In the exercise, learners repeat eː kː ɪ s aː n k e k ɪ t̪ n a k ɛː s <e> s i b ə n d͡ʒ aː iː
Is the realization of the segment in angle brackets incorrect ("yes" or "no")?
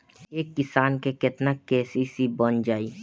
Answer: yes